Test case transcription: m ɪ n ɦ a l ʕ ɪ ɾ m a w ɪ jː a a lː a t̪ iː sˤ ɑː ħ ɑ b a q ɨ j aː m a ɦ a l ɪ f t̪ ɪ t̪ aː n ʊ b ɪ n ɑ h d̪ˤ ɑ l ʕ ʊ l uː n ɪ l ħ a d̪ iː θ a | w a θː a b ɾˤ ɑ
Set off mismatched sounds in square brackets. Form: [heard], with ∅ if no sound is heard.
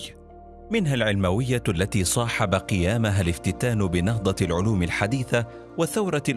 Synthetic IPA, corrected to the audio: m ɪ n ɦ a l ʕ ɪ [l] m a w ɪ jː a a lː a t̪ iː sˤ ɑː ħ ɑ b a q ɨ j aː m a ɦ a l ɪ f t̪ ɪ t̪ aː n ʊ b ɪ n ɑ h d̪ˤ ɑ l ʕ ʊ l uː [m] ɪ l ħ a d̪ iː θ a | w a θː a [w] ɾˤ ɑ